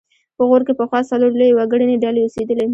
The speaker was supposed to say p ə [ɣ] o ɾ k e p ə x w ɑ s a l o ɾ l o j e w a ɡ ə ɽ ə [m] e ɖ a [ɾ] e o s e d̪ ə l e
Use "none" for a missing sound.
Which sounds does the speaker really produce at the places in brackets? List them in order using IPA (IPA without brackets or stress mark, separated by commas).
ɣ, n, l